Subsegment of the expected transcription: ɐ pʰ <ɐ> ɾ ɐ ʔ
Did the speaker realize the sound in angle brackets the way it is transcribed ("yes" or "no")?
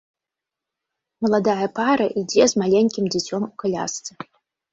no